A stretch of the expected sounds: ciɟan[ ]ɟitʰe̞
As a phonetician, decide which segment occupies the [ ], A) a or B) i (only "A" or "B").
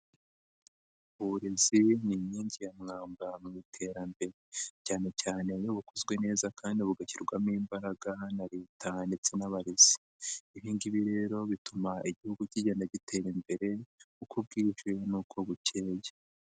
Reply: A